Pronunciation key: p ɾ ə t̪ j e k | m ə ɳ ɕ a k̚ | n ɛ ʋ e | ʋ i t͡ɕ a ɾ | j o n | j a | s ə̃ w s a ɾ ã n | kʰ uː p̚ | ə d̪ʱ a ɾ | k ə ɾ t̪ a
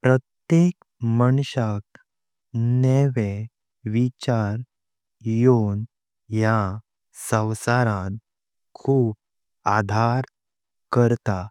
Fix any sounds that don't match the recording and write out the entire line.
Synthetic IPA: p ɾ ə t̪ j e k | m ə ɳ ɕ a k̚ | n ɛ ʋ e | ʋ i t͡ɕ a ɾ | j o n | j a | s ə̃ w s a ɾ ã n | kʰ uː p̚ | a d̪ʱ a ɾ | k ə ɾ t̪ a